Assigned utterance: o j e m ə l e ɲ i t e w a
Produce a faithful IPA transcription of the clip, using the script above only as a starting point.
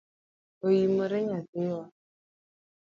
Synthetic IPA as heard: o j i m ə ɾ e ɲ a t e w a